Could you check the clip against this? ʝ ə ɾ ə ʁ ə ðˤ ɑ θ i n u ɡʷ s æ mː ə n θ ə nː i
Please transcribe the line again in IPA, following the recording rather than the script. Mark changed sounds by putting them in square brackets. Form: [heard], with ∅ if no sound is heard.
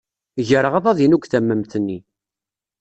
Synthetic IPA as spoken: ʝ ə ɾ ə ʁ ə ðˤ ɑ [ð] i n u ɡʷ [θ] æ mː ə [m] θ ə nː i